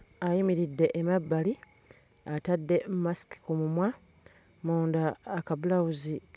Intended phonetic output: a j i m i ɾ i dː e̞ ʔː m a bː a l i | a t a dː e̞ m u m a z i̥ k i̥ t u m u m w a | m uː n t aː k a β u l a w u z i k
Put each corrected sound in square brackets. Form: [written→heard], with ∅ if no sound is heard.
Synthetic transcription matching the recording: a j i m i ɾ i dː e̞ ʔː m a bː a l i | a t a dː e̞ m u m a [z→s] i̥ k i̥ [t→k] u m u m w a | m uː n [t→d] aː k a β u l a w u z i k